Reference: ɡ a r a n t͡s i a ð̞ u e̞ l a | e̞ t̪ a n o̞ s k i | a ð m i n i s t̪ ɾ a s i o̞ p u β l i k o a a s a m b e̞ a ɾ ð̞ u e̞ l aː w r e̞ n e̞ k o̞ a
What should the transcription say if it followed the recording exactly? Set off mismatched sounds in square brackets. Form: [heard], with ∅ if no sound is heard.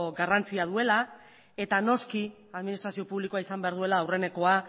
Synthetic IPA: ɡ a r a n t͡s i a ð̞ u e̞ l a | e̞ t̪ a n o̞ s k i | a ð m i n i s t̪ ɾ a s i o̞ p u β l i k o a [i] s a m b e̞ a ɾ ð̞ u e̞ l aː w r e̞ n e̞ k o̞ a

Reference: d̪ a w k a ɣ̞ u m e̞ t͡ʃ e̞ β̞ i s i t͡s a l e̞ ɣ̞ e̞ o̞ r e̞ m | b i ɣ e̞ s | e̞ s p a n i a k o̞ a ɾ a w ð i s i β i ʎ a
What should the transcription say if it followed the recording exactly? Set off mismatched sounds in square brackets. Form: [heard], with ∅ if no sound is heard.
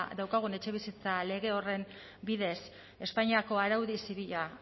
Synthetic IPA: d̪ a w k a ɣ̞ u [n] e̞ t͡ʃ e̞ β̞ i s i t͡s a l e̞ ɣ̞ e̞ o̞ r e̞ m | b i [ð] e̞ s | e̞ s p a [ɲ] i a k o̞ a ɾ a w ð i s i β i ʎ a

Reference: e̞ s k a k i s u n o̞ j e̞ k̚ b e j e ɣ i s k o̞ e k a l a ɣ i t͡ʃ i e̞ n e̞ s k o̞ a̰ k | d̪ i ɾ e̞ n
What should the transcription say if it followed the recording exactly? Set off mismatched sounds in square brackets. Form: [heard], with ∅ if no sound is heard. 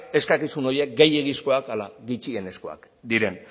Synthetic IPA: e̞ s k a k i s u n o̞ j e̞ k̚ [ɡ] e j e ɣ i s k o̞ [a] k a l a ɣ i t͡ʃ i e̞ n e̞ s k o̞ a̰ k | d̪ i ɾ e̞ n

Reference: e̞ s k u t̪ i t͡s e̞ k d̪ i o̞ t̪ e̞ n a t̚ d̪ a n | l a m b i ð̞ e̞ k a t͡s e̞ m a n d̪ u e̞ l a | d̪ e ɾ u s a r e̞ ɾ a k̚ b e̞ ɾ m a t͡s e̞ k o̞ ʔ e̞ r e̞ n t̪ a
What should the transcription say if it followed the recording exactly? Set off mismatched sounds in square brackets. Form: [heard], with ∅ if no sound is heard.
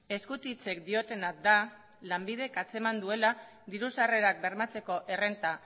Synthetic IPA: e̞ s k u t̪ i t͡s e̞ k d̪ i o̞ t̪ e̞ n a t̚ d̪ a [∅] | l a m b i ð̞ e̞ k a t͡s e̞ m a n d̪ u e̞ l a | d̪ [i] ɾ u s a r e̞ ɾ a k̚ b e̞ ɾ m a t͡s e̞ k o̞ ʔ e̞ r e̞ n t̪ a

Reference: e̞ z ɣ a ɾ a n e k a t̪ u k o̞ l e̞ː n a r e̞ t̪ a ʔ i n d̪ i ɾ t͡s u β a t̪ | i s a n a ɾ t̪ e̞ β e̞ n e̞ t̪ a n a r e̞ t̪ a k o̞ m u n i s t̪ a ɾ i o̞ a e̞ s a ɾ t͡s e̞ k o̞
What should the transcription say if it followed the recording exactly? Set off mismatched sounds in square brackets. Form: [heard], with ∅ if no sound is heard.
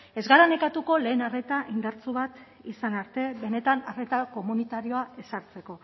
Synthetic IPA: e̞ z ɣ a ɾ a n e k a t̪ u k o̞ l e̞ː n a r e̞ t̪ a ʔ i n d̪ [a] ɾ t͡s u β a t̪ | i s a n a ɾ t̪ e̞ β e̞ n e̞ t̪ a n a r e̞ t̪ a k o̞ m u n i [∅] t̪ a ɾ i o̞ a e̞ s a ɾ t͡s e̞ k o̞

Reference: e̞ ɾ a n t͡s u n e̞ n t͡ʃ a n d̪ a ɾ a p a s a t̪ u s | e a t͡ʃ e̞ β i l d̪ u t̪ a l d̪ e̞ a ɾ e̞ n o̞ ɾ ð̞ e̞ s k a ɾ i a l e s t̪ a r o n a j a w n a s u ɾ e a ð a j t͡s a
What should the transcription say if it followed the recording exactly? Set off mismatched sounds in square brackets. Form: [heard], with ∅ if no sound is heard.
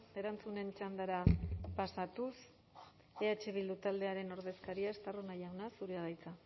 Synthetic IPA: e̞ ɾ a n t͡s u n e̞ n t͡ʃ a n d̪ a ɾ a p a s a t̪ u s | e a t͡ʃ e̞ β i l d̪ u t̪ a l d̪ e̞ a ɾ e̞ n o̞ ɾ ð̞ e̞ s k a ɾ i a [∅] e s t̪ a r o n a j a w n a s u ɾ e a ð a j t͡s a

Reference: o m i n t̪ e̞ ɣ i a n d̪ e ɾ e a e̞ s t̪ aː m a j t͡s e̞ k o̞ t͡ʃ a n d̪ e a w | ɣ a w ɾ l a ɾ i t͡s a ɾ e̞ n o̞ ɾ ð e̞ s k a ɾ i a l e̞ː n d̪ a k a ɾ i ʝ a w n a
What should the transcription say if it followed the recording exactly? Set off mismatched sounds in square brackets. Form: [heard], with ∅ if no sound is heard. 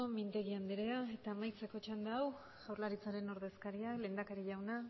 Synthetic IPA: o m i n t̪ e̞ ɣ i a n d̪ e ɾ e a e̞ [∅] t̪ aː m a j t͡s e̞ k o̞ t͡ʃ a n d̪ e a w | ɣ a w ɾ l a ɾ i t͡s a ɾ e̞ n o̞ ɾ ð e̞ s k a ɾ i a l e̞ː n d̪ a k a ɾ i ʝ a w n a

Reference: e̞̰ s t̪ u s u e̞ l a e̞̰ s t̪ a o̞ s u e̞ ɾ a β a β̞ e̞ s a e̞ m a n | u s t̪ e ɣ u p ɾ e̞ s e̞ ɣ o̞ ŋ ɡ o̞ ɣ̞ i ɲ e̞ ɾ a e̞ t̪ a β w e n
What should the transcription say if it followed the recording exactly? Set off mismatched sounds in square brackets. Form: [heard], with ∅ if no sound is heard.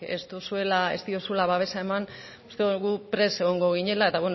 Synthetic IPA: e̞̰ s t̪ u s u e̞ l a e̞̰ s t̪ [i] o̞ s u e̞ [l] a β a β̞ e̞ s a e̞ m a n | u s t̪ e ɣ u p ɾ e̞ s e̞ ɣ o̞ ŋ ɡ o̞ ɣ̞ i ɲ e̞ [l] a e̞ t̪ a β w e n

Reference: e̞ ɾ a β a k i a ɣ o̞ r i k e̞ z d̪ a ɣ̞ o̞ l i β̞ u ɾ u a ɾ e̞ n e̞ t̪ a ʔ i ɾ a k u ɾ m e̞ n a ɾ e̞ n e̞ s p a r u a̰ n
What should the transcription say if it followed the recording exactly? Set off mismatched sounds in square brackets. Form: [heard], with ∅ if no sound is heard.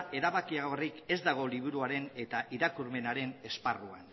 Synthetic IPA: e̞ ɾ a β a k i a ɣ o̞ r i k e̞ z d̪ a ɣ̞ o̞ l i β̞ u ɾ u a ɾ e̞ n e̞ t̪ a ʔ i ɾ a k u ɾ m e̞ n a ɾ e̞ n e̞ s p a r u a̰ n

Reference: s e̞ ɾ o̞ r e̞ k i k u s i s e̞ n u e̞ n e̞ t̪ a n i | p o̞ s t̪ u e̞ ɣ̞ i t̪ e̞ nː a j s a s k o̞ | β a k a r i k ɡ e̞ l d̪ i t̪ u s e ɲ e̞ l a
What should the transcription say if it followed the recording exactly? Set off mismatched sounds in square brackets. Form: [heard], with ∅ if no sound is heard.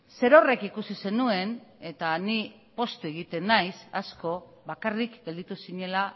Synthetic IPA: s e̞ ɾ o̞ r e̞ k i k u s i s e̞ n u e̞ n e̞ t̪ a n i | p o̞ s t̪ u e̞ ɣ̞ i t̪ e̞ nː a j s a s k o̞ | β a k a r i k ɡ e̞ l d̪ i t̪ u s [i] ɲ e̞ l a

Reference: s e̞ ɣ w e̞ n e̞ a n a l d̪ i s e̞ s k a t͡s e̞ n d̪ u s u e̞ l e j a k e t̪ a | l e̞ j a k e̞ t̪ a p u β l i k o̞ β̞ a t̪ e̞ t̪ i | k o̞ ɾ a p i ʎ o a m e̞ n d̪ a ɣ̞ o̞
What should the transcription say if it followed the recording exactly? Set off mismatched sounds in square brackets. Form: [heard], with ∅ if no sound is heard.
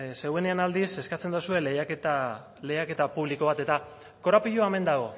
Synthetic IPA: s e̞ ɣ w e̞ n e̞ a n a l d̪ i s e̞ s k a t͡s e̞ n d̪ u s u e̞ l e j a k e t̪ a | l e̞ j a k e̞ t̪ a p u β l i k o̞ β̞ a t̪ e̞ t̪ [a] | k o̞ ɾ a p i ʎ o a m e̞ n d̪ a ɣ̞ o̞

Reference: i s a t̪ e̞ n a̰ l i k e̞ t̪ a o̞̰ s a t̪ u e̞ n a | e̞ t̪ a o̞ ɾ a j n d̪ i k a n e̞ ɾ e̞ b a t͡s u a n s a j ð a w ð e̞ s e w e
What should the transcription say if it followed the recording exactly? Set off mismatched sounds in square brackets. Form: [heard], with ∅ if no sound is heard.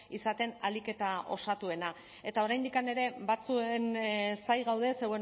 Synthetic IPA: i s a t̪ e̞ n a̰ l i k e̞ t̪ a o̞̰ s a t̪ u e̞ n a | e̞ t̪ a o̞ ɾ a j n d̪ i k a n e̞ ɾ e̞ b a t͡s u [e] n s a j [ɣ] a w ð e̞ s e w e

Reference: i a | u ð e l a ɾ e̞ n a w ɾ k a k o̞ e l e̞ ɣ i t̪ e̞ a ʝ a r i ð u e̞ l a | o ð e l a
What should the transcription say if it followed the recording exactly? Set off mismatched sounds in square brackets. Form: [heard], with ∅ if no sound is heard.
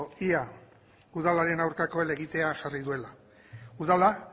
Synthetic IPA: i a | u ð [a] l a ɾ e̞ n a w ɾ k a k o̞ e l e̞ ɣ i t̪ e̞ a ʝ a r i ð u e̞ l a | [u] ð [a] l a

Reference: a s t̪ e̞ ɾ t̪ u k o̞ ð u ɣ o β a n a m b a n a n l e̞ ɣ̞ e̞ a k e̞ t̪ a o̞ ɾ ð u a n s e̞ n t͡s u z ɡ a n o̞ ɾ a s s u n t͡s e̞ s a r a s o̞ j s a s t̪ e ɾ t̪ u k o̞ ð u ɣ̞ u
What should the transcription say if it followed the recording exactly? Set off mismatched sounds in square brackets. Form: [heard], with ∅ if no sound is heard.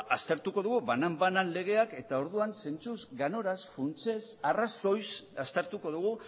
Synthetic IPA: a s t̪ e̞ ɾ t̪ u k o̞ ð u ɣ [u] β a n a m b a n a n l e̞ ɣ̞ e̞ a k e̞ t̪ a o̞ ɾ ð u a n s e̞ n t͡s u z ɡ a n o̞ ɾ a s [f] u n t͡s e̞ s a r a s o̞ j s a s t̪ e ɾ t̪ u k o̞ ð u ɣ̞ u

